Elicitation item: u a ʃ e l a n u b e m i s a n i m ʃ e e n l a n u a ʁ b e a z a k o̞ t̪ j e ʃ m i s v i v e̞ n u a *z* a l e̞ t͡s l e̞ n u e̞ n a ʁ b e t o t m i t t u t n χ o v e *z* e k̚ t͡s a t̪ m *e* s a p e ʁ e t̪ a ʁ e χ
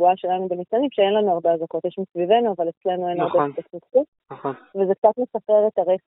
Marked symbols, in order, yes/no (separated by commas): no, yes, yes